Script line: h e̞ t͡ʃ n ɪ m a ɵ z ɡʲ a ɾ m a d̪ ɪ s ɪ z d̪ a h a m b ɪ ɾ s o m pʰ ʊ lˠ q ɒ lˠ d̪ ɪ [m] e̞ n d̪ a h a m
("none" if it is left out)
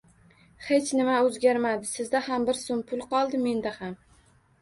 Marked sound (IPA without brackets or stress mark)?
m